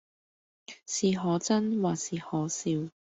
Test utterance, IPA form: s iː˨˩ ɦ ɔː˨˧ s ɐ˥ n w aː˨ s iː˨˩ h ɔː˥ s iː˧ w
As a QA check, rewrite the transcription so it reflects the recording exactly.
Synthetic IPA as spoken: s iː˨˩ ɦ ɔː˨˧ t͡s ɐ˥ n w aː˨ s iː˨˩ h ɔː˨˥ s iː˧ w